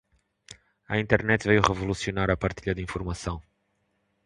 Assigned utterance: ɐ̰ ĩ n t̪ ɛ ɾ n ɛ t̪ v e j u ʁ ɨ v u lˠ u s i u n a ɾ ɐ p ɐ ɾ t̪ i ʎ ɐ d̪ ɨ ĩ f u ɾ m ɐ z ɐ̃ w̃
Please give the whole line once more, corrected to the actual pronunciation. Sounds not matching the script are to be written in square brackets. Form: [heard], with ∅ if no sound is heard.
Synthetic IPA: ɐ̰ ĩ n t̪ ɛ ɾ n ɛ t̪ v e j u ʁ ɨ v u lˠ u s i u n a ɾ ɐ p ɐ ɾ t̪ i ʎ ɐ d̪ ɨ ĩ f u ɾ m ɐ [s] ɐ̃ w̃